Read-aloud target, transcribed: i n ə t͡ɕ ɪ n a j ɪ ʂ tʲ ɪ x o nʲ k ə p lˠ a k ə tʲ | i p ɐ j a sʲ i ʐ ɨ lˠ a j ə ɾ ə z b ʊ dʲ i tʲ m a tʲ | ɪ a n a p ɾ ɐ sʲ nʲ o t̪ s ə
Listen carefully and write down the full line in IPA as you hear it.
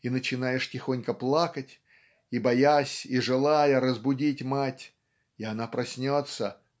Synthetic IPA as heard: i n ə t͡ɕ ɪ n a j ɪ ʂ tʲ ɪ x o nʲ k ə p lˠ a k ə tʲ | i b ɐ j a sʲ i ʐ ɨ lˠ a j ə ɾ ə z b ʊ dʲ i tʲ m a tʲ | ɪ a n a p ɾ ɐ sʲ nʲ o t̪ s ə

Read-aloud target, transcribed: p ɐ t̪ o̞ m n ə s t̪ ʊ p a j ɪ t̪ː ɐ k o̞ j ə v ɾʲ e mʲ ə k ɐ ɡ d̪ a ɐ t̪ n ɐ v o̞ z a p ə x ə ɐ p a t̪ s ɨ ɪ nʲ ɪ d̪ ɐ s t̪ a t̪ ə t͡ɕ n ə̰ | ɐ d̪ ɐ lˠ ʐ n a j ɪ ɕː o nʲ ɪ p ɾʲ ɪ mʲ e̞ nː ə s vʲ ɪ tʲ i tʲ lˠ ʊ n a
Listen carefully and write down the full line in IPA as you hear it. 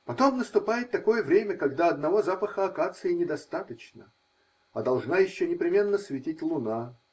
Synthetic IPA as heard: p ɐ t̪ o̞ m n ə s t̪ ʊ p a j ɪ t̪ː ɐ k o̞ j ə v ɾʲ e mʲ ə k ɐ ɡ d̪ a ɐ d̪ n ɐ v o̞ z a p ə x ə ɐ k a t̪ s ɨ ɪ nʲ ɪ d̪ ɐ s t̪ a t̪ ə t͡ɕ n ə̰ | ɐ d̪ ɐ lˠ ʐ n a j ɪ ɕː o nʲ ɪ p ɾʲ ɪ mʲ e̞ nː ə s vʲ ɪ tʲ i tʲ lˠ ʊ n a

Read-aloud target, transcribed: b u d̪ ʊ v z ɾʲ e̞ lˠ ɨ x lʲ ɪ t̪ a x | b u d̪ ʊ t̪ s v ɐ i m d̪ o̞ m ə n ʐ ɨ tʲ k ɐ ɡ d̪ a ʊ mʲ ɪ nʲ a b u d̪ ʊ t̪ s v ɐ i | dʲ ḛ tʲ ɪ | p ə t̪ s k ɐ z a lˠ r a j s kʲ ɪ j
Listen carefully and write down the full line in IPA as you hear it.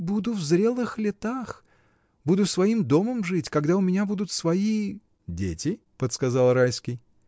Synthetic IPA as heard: b u d̪ ʊ v z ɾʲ e̞ lˠ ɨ x lʲ ɪ t̪ a x | b u d̪ ʊ s v ɐ i m d̪ o̞ m ə m ʐ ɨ tʲ k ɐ ɡ d̪ a ʊ mʲ ɪ nʲ a b u d̪ ʊ t̪ s v ɐ i | dʲ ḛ tʲ ɪ | p ə t̪ s k ɐ z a lˠ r a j s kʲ ɪ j

